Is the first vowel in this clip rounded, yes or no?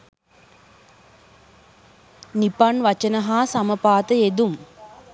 no